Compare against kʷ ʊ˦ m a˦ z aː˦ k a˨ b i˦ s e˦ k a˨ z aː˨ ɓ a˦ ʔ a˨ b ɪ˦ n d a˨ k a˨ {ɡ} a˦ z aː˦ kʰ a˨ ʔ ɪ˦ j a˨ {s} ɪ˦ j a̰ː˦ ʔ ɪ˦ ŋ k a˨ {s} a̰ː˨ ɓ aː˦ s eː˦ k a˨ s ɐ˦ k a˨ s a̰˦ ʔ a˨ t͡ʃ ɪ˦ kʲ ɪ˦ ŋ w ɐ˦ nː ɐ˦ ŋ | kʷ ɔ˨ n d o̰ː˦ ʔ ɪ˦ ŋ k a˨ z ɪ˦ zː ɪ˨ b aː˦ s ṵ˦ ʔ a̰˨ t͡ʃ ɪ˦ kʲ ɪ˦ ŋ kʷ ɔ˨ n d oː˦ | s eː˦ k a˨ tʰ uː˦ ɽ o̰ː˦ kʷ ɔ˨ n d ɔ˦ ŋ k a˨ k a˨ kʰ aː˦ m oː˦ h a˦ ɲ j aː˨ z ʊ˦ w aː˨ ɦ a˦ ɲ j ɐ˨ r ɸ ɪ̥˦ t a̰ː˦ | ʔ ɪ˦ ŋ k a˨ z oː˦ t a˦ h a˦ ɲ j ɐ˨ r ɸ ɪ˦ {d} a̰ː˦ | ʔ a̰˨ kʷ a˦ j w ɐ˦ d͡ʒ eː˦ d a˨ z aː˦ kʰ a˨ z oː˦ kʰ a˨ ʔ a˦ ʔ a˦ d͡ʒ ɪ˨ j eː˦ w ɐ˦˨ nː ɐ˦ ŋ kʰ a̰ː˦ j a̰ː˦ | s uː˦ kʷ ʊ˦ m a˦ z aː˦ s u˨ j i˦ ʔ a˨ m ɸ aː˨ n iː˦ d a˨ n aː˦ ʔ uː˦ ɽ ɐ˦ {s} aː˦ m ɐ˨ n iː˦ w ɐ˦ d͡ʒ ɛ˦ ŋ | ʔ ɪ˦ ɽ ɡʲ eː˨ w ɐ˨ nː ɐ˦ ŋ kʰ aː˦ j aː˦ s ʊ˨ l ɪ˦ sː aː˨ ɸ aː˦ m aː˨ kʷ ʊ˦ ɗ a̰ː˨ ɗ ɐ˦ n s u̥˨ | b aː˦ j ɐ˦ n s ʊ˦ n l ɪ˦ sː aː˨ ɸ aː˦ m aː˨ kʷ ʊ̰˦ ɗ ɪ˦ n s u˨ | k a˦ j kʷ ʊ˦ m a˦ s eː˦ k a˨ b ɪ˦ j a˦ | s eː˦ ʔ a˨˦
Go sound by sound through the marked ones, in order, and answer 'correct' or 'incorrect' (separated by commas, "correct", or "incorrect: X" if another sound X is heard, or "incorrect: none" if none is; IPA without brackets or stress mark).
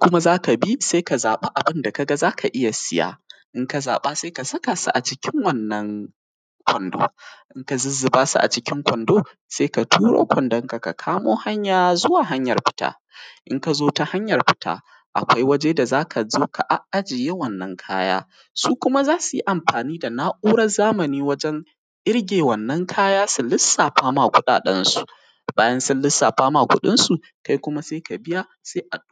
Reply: correct, correct, incorrect: z, incorrect: t, incorrect: z